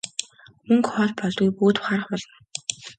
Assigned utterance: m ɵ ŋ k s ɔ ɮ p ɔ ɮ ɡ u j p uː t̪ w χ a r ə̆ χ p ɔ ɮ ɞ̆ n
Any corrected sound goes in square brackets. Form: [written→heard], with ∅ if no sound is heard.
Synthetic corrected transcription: m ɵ ŋ k [s→χ] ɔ ɮ p ɔ ɮ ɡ u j p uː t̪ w χ a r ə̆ χ p ɔ ɮ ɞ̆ n

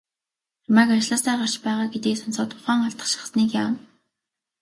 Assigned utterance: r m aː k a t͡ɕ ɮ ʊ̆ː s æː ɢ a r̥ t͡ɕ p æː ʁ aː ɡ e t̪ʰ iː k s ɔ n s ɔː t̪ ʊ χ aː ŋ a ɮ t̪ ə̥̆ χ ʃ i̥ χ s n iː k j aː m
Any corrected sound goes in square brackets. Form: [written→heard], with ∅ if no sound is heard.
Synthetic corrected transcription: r m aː k a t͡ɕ ɮ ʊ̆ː s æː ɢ a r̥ t͡ɕ p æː ʁ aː ɡ e [t̪ʰ→t̪] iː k s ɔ n s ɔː t̪ ʊ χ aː ŋ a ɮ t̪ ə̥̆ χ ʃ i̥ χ s n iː k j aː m

